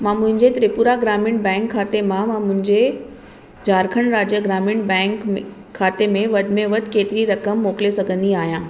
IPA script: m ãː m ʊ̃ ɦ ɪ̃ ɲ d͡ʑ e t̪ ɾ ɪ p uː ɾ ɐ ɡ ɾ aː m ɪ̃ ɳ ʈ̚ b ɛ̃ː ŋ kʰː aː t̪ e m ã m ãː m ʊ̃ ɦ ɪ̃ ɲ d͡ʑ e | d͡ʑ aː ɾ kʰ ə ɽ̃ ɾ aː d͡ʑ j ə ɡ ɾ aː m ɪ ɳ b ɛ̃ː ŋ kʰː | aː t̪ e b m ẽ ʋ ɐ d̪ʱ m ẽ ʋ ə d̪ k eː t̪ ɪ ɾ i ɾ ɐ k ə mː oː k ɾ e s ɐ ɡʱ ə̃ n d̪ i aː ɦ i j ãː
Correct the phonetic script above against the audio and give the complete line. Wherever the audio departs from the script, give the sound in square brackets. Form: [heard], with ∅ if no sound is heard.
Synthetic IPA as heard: m ãː m ʊ̃ ɦ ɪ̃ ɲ d͡ʑ e t̪ ɾ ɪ p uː ɾ [a] ɡ ɾ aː m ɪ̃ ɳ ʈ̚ b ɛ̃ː ŋ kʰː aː t̪ e m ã m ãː m ʊ̃ ɦ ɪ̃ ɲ d͡ʑ e | d͡ʑ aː ɾ kʰ ə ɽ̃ ɾ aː d͡ʑ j ə ɡ ɾ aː m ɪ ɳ b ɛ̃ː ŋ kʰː | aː t̪ e [∅] m ẽ ʋ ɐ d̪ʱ m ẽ ʋ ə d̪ k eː t̪ ɪ ɾ i ɾ ɐ k ə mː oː k [l] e s ɐ ɡʱ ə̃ n d̪ i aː ɦ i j ãː